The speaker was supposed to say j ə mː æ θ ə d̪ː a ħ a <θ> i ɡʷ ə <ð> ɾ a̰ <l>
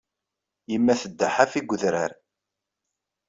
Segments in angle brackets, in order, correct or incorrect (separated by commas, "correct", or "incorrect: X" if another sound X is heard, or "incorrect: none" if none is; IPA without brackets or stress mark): incorrect: f, correct, incorrect: ɾ